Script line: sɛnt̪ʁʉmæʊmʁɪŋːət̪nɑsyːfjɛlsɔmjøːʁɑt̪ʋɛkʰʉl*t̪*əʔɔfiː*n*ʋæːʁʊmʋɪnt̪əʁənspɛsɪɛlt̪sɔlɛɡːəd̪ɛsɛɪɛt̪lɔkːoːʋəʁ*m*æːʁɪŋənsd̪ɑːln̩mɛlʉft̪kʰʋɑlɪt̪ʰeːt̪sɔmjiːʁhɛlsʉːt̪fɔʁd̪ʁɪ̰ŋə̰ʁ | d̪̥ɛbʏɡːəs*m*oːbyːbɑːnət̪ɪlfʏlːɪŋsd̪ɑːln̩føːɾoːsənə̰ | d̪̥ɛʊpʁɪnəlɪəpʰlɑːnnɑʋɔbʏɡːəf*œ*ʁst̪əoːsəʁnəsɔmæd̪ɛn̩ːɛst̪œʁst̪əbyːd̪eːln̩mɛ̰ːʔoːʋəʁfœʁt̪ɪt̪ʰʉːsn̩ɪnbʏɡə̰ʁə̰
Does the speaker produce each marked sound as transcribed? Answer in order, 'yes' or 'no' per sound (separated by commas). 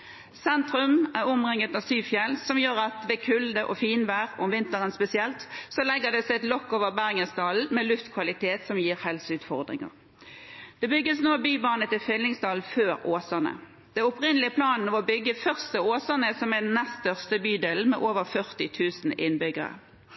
no, yes, no, no, yes